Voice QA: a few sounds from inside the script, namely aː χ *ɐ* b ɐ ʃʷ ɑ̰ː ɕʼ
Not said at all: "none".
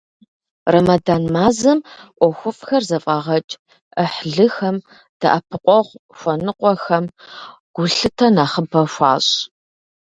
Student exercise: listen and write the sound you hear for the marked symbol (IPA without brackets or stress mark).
ə